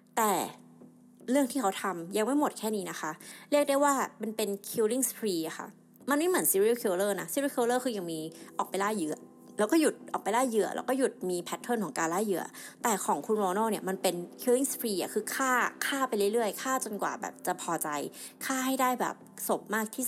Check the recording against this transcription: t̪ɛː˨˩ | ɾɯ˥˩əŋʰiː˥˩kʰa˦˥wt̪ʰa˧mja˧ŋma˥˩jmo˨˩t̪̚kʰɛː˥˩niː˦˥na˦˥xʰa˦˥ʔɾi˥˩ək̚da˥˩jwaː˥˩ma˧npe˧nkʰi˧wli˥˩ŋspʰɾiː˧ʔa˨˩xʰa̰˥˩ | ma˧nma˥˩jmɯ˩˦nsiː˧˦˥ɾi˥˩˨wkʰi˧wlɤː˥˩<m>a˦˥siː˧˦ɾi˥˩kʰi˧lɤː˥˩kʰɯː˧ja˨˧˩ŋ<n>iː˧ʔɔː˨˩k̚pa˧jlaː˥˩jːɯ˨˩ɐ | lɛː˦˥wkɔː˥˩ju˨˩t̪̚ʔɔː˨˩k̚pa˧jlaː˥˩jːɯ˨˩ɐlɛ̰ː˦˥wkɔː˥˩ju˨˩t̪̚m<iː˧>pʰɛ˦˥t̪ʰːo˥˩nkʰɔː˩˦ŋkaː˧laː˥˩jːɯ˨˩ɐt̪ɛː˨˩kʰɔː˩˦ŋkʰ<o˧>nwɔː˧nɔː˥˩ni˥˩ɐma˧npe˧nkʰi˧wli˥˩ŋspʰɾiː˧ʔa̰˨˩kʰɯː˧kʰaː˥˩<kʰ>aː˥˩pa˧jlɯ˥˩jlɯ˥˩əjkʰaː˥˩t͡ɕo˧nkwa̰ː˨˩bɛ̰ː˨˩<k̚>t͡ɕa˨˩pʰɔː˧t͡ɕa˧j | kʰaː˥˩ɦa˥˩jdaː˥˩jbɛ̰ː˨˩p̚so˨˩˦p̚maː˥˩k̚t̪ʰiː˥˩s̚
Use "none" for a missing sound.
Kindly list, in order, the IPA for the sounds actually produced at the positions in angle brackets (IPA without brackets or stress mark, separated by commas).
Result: n, m, iː˧, u˧, kʰ, p̚